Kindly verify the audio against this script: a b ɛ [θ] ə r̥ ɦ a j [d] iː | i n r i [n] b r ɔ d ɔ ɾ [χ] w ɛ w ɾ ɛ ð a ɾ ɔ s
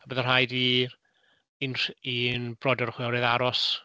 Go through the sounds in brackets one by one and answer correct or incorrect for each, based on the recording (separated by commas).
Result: incorrect, correct, correct, correct